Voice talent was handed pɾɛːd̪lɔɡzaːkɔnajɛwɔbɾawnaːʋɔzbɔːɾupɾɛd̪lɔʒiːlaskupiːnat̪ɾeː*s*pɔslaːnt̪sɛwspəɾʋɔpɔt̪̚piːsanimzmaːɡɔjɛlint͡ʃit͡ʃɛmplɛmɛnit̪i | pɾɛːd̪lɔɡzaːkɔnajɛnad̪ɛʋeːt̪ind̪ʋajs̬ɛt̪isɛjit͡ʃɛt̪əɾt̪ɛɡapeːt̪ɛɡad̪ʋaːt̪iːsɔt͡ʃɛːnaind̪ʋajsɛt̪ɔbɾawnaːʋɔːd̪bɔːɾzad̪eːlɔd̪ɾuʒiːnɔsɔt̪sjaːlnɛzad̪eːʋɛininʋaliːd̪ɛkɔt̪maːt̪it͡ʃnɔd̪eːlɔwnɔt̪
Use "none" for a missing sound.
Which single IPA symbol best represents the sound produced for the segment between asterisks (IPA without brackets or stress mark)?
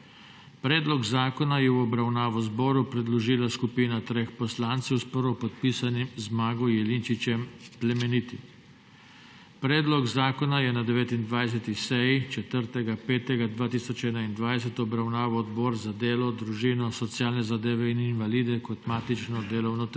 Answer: x